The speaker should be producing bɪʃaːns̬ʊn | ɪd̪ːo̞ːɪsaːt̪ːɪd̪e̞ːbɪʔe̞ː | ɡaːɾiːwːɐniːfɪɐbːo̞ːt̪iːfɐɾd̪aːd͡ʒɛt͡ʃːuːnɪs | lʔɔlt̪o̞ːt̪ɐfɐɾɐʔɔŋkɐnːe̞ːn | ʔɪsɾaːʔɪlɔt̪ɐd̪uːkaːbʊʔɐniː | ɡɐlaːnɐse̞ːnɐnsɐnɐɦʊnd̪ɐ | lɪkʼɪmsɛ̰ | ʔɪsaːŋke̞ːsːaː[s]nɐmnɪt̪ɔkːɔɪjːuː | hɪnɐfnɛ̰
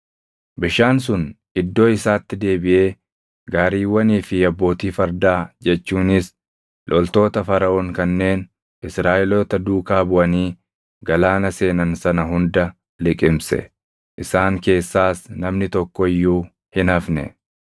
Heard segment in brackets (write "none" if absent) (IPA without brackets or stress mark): s